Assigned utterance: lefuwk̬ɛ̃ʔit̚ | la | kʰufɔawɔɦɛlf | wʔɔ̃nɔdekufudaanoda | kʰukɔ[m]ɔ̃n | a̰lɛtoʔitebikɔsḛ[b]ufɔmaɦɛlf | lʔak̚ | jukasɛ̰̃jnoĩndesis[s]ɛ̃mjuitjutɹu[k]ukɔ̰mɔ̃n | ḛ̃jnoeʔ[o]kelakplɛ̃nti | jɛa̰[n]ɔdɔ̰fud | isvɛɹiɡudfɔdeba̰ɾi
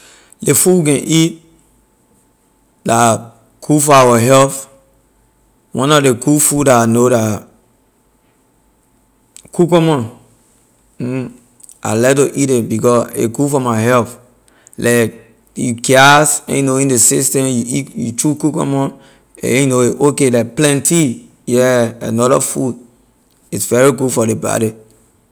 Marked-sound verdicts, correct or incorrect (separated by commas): correct, incorrect, incorrect, correct, correct, correct